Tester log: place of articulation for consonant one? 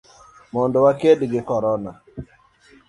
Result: labial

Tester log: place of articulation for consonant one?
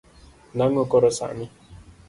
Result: alveolar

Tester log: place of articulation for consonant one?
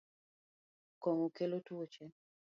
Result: velar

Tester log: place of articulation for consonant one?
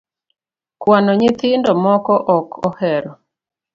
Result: velar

